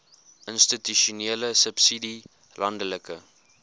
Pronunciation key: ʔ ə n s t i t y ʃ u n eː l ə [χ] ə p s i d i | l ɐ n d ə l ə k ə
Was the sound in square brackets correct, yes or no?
no